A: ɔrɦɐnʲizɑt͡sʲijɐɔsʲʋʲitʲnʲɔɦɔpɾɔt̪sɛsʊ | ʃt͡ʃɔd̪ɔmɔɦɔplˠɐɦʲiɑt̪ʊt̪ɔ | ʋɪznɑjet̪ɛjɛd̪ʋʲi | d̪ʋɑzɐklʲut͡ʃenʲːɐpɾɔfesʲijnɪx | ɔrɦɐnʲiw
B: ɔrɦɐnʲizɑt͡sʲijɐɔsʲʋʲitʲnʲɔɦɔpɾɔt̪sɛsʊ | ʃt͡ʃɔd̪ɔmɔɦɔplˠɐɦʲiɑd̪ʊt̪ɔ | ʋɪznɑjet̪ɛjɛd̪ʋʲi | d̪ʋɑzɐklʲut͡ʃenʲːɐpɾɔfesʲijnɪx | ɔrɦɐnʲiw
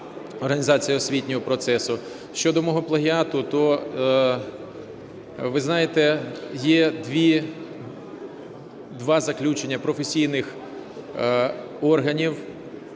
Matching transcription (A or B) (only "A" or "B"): A